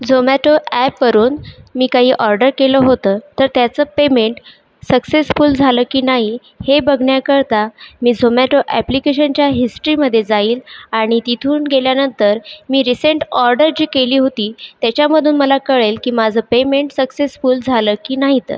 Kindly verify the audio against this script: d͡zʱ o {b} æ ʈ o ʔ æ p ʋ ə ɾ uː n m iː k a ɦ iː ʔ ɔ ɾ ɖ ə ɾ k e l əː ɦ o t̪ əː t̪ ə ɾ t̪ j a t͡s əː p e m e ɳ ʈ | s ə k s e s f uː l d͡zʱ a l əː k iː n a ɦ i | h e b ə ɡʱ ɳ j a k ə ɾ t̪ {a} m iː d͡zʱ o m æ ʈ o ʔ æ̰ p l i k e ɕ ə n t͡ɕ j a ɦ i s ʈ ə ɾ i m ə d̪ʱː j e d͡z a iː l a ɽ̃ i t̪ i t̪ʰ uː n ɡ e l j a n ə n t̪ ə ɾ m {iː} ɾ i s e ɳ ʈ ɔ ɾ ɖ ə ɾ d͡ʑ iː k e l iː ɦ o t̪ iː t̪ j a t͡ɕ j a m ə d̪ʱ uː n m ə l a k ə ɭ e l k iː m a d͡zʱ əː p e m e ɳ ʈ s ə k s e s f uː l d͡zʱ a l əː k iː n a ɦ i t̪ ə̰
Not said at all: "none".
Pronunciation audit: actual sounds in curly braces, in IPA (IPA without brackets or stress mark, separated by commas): m, a, iː